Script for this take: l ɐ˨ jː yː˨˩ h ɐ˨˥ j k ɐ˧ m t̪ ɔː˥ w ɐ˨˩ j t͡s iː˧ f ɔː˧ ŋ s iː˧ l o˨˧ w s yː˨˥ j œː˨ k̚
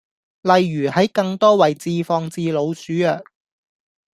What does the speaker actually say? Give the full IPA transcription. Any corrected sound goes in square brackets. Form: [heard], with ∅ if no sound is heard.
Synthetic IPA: l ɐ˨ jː yː˨˩ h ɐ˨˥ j k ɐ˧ [ŋ] t̪ ɔː˥ w ɐ˨˩ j t͡s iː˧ f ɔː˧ ŋ [t͡s] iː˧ l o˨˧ w s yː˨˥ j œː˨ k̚